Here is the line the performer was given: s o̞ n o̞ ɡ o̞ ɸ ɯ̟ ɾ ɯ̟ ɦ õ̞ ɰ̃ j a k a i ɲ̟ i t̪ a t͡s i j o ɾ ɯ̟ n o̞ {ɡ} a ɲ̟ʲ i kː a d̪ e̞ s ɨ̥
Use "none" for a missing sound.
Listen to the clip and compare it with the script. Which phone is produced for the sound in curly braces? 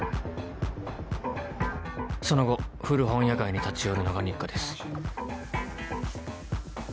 ɡ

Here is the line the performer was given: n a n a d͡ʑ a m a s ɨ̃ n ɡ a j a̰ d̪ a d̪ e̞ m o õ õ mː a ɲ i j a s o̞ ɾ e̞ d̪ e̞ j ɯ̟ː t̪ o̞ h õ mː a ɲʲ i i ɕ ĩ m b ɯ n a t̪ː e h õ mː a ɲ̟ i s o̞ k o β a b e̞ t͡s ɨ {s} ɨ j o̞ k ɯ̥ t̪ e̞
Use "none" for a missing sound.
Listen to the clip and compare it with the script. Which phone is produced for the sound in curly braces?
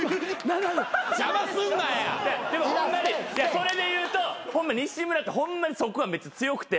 t͡s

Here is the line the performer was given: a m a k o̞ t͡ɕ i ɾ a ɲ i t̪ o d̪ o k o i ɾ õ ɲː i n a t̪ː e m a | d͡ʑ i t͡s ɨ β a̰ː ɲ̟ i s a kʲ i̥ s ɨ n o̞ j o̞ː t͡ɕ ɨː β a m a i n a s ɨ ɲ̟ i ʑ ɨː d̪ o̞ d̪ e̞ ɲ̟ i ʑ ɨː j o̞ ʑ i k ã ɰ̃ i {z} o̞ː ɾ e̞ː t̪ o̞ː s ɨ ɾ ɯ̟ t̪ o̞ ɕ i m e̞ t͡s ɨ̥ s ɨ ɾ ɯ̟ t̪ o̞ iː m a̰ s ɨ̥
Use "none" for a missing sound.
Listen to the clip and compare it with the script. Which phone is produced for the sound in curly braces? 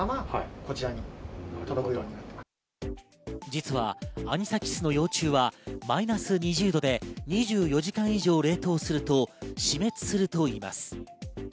ʑ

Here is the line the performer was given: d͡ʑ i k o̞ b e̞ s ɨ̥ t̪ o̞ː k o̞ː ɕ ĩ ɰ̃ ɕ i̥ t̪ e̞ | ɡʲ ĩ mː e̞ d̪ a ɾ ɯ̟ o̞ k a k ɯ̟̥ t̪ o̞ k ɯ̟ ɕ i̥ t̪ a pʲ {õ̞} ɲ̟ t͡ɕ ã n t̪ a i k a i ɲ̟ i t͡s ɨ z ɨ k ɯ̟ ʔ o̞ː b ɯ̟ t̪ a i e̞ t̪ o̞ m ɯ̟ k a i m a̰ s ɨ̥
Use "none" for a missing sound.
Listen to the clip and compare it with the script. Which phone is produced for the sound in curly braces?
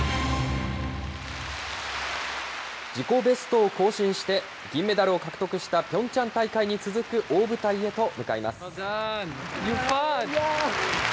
õ̞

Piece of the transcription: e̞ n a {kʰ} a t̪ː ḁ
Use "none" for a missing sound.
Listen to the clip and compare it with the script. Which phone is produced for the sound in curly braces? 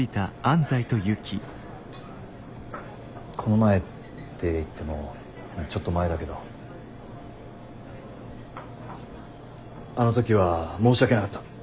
k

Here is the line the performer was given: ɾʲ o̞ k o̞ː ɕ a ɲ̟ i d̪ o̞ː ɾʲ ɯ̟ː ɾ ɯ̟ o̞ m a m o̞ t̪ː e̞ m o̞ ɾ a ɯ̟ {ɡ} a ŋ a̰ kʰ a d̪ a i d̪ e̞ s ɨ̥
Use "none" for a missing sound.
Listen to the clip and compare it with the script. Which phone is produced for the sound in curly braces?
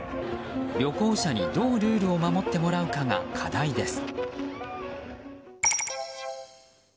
k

